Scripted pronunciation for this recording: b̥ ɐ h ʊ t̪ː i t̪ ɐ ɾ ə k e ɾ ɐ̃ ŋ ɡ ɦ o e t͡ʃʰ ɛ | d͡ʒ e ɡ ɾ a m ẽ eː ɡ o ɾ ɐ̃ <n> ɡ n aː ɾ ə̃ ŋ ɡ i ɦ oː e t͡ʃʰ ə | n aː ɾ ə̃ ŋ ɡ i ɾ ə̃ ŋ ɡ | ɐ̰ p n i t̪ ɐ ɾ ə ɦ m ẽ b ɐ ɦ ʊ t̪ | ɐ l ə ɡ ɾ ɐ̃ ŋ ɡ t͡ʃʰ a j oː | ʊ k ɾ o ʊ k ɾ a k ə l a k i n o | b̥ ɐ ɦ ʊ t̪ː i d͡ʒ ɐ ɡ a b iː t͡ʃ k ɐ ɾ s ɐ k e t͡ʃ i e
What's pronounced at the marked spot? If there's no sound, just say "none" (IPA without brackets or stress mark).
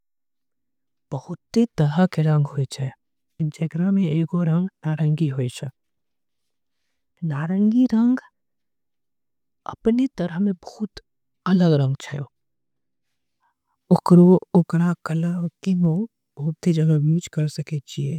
ŋ